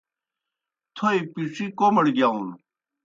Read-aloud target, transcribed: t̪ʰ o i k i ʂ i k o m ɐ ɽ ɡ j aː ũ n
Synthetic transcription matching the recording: t̪ʰ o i p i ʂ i k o m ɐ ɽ ɡ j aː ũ n